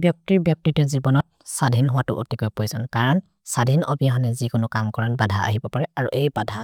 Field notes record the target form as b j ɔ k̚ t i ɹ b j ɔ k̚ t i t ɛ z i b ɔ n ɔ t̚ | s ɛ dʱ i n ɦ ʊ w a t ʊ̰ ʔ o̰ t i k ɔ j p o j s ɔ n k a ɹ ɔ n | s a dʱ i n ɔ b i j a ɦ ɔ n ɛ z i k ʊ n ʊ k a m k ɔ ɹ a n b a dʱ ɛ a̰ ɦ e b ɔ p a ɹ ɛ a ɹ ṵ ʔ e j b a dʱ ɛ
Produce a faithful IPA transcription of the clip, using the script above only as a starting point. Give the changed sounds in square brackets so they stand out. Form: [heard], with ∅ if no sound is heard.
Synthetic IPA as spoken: b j ɔ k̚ t i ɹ b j ɔ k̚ t i t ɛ z i b ɔ n ɔ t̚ | s [a] dʱ i n ɦ ʊ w a t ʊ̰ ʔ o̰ t i k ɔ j p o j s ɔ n k a ɹ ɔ n | s a dʱ i n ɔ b i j a ɦ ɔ n ɛ z i k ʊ n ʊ k a m k ɔ ɹ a n b a dʱ [a] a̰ ɦ [i] b ɔ p a ɹ ɛ a ɹ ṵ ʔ e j b a dʱ [a]